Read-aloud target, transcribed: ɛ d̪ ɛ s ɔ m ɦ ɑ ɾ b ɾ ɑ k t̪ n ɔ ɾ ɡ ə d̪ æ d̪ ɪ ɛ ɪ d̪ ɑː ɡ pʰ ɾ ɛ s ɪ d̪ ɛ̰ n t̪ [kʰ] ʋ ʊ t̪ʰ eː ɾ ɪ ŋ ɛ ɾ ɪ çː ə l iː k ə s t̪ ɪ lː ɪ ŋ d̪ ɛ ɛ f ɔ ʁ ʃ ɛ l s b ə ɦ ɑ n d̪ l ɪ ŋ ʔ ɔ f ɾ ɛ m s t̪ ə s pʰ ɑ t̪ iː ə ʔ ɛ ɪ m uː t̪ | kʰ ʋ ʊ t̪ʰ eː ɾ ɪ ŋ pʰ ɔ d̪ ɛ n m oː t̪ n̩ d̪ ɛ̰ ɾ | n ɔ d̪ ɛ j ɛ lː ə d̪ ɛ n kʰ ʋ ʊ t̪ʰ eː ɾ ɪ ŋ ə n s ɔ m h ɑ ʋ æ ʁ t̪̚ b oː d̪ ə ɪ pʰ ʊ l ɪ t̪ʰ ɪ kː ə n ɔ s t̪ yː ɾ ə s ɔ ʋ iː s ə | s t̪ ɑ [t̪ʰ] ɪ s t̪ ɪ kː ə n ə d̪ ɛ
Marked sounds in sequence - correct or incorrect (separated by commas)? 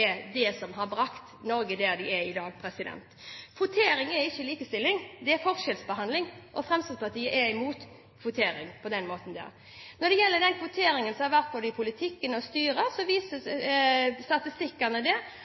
correct, incorrect